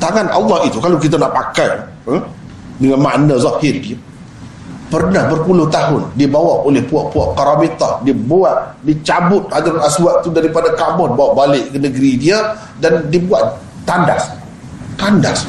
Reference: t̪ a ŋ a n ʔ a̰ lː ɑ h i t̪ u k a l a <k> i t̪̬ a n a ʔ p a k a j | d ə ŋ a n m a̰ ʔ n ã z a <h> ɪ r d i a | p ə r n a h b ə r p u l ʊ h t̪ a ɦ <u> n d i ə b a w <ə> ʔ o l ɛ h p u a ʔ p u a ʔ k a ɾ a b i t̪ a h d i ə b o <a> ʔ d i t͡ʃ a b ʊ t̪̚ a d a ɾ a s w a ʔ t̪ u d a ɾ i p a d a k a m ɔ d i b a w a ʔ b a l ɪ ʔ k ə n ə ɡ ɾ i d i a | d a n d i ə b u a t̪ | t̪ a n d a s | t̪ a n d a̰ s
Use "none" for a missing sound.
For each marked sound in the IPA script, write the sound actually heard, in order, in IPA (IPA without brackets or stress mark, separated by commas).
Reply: k, h, ʊ, a, a